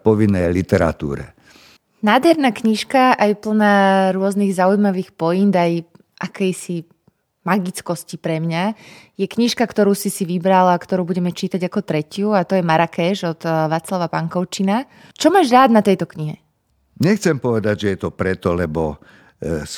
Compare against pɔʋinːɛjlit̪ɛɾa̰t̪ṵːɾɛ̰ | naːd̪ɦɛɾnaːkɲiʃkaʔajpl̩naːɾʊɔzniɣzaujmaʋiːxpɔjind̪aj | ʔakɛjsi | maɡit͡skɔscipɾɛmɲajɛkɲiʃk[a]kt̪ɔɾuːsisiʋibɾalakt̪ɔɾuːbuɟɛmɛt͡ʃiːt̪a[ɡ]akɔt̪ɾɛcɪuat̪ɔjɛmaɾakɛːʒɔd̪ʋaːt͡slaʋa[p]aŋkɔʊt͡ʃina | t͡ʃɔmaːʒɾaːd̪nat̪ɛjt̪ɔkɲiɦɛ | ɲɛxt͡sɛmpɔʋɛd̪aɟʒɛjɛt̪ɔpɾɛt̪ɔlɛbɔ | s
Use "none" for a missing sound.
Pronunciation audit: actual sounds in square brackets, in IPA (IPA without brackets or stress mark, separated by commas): a, ɟ, p